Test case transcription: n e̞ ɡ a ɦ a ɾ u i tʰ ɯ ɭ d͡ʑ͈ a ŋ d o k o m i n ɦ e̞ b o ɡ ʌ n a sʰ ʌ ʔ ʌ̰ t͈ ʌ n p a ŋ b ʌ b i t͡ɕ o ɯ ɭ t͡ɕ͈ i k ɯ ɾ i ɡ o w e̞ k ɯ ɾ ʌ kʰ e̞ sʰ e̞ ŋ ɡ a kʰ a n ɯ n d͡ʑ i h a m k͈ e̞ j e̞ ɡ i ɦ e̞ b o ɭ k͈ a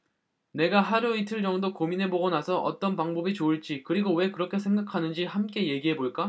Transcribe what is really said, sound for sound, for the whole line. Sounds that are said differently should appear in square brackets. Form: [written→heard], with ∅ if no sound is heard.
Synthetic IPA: n e̞ ɡ a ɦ a ɾ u i tʰ ɯ ɭ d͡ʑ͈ [a→ʌ] ŋ d o k o m i n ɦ e̞ b o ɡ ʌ n a sʰ ʌ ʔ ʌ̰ t͈ ʌ n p a ŋ b ʌ b i t͡ɕ o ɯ ɭ t͡ɕ͈ i k ɯ ɾ i ɡ o w e̞ k ɯ ɾ ʌ kʰ e̞ sʰ e̞ ŋ ɡ a kʰ a n ɯ n d͡ʑ i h a m k͈ e̞ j e̞ ɡ i ɦ e̞ b o ɭ k͈ a